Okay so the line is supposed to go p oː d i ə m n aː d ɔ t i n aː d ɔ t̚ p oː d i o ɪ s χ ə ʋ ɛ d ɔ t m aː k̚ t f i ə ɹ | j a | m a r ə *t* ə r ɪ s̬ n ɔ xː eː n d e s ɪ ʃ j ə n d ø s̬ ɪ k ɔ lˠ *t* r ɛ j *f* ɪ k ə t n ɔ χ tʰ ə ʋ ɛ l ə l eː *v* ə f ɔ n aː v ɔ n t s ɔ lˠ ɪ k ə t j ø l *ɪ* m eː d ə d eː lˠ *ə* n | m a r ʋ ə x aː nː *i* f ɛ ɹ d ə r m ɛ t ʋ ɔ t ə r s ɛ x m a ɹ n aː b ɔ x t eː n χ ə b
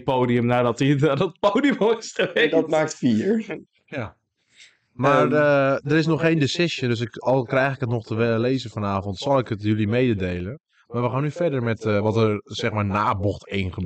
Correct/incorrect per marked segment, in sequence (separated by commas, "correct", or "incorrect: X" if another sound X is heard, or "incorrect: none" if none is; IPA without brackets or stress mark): incorrect: d, incorrect: k, incorrect: x, incorrect: z, incorrect: i, correct, incorrect: y